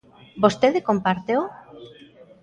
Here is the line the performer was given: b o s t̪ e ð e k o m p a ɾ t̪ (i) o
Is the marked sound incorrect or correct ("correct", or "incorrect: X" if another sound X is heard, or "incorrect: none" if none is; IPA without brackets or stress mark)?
incorrect: e